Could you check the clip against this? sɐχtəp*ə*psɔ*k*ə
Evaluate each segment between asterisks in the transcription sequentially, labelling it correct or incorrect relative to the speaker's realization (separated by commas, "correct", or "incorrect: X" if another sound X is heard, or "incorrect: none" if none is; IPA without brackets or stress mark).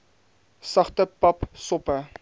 incorrect: ɐ, incorrect: p